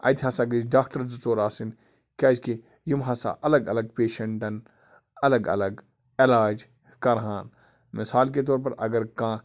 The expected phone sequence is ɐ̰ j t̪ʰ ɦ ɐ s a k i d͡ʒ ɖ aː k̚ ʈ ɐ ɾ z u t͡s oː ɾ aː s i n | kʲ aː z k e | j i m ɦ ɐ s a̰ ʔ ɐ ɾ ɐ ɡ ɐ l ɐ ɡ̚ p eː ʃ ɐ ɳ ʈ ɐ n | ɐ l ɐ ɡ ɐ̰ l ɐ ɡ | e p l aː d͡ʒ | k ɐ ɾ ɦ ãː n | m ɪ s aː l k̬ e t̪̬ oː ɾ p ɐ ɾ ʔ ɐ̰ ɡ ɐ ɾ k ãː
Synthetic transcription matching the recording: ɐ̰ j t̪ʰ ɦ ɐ s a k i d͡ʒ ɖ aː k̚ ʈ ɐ ɾ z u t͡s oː ɾ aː s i n | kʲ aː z k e | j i m ɦ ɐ s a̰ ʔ ɐ l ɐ ɡ ɐ l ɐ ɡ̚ p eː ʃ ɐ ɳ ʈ ɐ n | ɐ l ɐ ɡ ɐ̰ l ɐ ɡ | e l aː d͡ʒ | k ɐ ɾ ɦ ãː n | m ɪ s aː l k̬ e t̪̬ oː ɾ p ɐ ɾ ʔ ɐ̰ ɡ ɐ ɾ k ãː

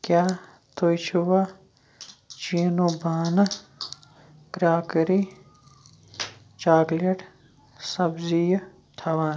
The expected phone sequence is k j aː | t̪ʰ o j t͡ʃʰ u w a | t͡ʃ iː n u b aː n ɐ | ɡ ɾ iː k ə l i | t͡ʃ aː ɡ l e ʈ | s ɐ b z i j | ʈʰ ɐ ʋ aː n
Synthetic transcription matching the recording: k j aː | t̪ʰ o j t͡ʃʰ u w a | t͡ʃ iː n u b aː n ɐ | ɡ ɾ aː k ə ɾ i | t͡ʃ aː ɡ l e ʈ | s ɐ b z i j | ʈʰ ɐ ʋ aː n

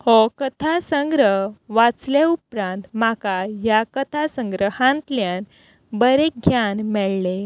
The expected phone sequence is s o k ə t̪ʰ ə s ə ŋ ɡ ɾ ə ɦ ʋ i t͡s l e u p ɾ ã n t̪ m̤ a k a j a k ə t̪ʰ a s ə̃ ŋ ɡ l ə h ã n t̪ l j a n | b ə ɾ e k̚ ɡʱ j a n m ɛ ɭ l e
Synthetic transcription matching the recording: h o k ə t̪ʰ a s ə ŋ ɡ ɾ ə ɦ ʋ a t͡s l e u p ɾ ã n t̪ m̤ a k a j a k ə t̪ʰ a s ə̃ ŋ ɡ ɾ ə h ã n t̪ l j a n | b ə ɾ e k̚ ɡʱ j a n m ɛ ɭ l e

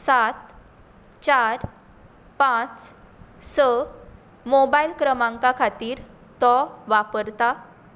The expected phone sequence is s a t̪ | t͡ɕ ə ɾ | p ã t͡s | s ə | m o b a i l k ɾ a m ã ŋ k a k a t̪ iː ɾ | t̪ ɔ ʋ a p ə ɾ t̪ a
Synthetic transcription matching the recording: s a t̪ | t͡ɕ a ɾ | p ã t͡s | s ə | m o b a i l k ɾ ə m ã ŋ k a kʰ a t̪ iː ɾ | t̪ ɔ ʋ a p ə ɾ t̪ a

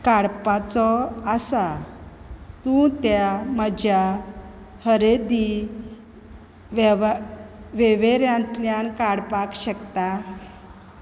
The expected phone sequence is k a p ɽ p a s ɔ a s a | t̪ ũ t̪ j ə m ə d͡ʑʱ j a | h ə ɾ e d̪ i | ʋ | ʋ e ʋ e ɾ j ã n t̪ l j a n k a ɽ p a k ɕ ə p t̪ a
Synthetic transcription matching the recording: k a ɽ p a t͡s ɔ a s a | t̪ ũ t̪ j a m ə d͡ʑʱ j a | h ə ɾ e d̪ i | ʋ | ʋ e ʋ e ɾ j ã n t̪ l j a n k a ɽ p a k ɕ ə k t̪ a

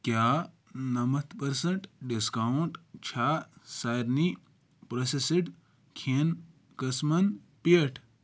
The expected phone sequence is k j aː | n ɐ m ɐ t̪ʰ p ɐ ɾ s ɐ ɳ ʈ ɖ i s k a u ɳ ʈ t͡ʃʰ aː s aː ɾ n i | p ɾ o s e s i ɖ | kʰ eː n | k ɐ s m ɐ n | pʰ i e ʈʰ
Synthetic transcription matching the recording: k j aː | n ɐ m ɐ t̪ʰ p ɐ ɾ s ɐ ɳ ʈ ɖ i s k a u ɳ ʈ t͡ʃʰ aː s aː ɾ n i | p ɾ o s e s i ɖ | kʰ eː n | k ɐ s m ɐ n | p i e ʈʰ

